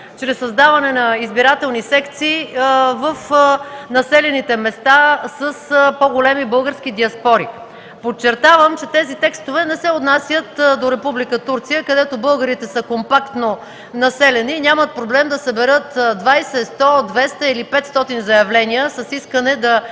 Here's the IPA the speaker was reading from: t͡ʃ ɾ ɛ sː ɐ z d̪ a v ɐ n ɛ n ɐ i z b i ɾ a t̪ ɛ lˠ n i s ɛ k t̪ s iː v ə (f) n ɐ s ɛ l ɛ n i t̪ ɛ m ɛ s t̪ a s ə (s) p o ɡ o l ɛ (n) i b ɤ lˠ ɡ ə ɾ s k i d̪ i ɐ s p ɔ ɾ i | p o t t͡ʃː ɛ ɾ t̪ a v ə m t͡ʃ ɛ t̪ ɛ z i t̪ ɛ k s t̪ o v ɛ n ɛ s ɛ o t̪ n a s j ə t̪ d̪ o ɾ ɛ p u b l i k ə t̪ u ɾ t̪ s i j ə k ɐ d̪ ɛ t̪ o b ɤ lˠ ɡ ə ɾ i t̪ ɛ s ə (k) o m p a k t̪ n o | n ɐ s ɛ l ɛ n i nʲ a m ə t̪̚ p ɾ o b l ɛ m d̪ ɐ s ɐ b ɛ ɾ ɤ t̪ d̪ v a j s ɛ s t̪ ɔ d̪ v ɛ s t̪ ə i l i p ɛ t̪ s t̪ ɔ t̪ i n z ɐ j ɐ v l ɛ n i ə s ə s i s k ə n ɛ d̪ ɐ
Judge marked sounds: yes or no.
yes, yes, no, yes

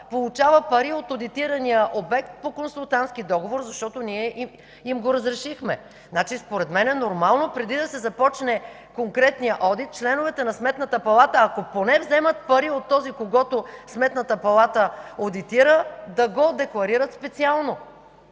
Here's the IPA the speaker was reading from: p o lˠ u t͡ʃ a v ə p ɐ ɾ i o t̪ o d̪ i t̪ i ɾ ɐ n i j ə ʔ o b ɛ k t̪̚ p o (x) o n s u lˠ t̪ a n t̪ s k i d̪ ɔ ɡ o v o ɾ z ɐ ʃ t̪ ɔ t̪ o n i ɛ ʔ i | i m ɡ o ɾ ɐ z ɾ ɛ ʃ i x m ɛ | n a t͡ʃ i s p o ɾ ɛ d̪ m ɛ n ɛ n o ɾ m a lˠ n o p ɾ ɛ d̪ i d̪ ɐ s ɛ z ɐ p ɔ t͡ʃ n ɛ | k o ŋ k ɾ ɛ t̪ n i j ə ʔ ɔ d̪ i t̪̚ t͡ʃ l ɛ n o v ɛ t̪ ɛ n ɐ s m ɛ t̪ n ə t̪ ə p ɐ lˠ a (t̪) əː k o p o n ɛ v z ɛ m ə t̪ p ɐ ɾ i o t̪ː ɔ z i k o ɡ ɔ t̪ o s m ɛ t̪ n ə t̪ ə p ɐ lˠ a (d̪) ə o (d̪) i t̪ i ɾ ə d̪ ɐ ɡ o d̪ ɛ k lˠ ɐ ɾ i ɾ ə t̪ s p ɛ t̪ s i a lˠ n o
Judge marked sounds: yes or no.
no, yes, no, yes

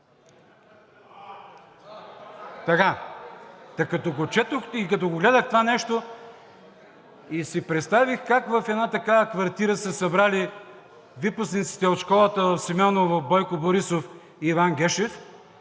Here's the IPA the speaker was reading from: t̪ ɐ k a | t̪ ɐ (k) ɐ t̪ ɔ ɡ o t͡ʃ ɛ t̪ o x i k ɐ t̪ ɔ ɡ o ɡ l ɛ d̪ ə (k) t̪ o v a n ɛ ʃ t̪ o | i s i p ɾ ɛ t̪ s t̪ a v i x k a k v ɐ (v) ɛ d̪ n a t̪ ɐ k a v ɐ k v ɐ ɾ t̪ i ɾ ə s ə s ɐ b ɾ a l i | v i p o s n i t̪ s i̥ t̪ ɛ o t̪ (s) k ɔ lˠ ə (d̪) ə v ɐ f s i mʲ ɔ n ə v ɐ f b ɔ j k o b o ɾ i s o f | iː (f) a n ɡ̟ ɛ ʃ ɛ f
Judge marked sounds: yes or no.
yes, no, no, no, no, no

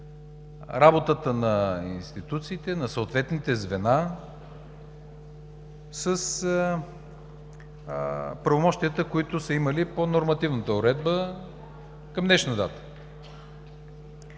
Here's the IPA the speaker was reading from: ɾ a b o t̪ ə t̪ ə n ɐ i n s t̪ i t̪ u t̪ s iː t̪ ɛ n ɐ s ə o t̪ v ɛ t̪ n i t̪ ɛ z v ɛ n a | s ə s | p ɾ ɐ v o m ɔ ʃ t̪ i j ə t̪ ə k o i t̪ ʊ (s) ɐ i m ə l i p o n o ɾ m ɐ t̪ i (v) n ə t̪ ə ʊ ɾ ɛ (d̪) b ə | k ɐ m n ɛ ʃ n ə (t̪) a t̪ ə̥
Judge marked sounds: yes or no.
yes, yes, yes, no

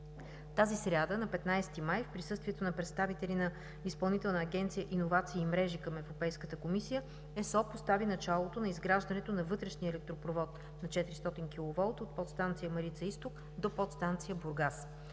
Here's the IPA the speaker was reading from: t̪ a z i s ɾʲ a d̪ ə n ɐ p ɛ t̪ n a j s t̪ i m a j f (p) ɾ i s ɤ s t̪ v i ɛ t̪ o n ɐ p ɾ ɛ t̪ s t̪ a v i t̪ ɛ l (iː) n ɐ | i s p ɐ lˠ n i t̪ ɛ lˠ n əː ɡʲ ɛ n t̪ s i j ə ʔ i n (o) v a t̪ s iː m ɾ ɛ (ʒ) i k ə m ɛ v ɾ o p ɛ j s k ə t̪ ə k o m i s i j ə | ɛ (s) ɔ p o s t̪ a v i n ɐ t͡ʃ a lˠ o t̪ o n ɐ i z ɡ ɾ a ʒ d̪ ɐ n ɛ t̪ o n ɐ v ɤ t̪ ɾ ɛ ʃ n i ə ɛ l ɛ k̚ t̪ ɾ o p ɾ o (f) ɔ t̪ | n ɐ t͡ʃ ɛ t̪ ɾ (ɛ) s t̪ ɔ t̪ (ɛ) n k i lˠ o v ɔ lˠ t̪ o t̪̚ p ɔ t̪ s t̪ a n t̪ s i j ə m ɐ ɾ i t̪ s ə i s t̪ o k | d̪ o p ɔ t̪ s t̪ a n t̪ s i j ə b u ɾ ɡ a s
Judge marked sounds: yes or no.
yes, no, yes, yes, yes, no, no, no

